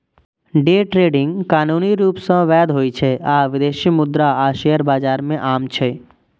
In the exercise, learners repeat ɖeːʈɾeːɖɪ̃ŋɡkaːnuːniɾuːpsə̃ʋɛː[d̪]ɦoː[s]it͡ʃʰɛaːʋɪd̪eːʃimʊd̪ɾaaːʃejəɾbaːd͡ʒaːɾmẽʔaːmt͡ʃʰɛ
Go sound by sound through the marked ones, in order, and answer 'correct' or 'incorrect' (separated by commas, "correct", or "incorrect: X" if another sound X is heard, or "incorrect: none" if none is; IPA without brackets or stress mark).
correct, incorrect: none